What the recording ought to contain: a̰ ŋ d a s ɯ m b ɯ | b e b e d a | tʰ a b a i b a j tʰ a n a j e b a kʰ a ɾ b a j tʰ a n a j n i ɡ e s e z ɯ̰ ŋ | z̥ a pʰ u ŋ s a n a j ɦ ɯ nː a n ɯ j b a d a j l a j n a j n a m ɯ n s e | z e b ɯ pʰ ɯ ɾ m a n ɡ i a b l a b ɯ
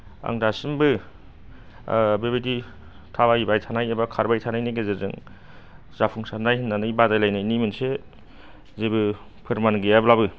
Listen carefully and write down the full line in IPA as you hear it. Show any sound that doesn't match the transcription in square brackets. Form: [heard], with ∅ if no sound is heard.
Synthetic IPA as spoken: a̰ ŋ d a s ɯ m b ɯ | b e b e d [i] | tʰ a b a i b a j tʰ a n a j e b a kʰ a ɾ b a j tʰ a n a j n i ɡ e [z] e z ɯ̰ ŋ | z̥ a pʰ u ŋ s a n a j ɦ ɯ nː a n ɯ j b a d a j l a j n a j n [i] m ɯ n s e | z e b ɯ pʰ ɯ ɾ m a n ɡ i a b l a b ɯ